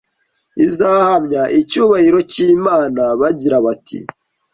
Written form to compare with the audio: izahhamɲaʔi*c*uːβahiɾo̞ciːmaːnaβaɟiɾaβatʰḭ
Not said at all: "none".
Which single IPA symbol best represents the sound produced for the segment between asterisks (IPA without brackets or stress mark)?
c